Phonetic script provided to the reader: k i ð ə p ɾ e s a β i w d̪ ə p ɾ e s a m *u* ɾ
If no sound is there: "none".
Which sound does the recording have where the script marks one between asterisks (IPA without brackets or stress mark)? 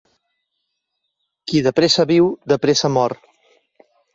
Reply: ɔ